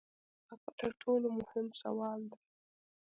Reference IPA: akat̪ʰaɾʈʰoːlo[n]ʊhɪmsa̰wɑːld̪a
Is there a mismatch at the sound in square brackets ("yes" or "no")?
yes